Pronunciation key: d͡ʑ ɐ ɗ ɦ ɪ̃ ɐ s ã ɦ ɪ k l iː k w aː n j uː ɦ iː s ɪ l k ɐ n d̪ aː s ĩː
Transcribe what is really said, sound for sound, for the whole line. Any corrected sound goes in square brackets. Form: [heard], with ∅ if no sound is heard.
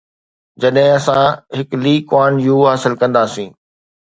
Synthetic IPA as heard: d͡ʑ ɐ ɗ ɦ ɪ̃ ɐ s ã ɦ ɪ k l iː k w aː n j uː ɦ [aː] s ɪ l k [ɐ̃] n d̪ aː s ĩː